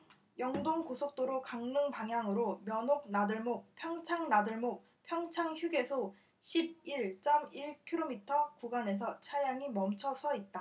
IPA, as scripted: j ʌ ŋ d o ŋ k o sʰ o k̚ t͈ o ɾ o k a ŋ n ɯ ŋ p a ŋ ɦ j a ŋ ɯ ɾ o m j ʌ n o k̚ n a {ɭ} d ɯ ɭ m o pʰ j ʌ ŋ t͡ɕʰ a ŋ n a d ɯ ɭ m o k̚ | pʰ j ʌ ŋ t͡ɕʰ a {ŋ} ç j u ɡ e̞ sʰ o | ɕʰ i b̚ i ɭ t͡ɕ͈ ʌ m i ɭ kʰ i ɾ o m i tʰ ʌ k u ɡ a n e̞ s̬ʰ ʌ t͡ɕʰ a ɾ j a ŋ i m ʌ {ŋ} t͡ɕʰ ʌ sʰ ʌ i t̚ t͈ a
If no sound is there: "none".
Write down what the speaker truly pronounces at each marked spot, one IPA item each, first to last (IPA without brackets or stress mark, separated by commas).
none, ŋ, m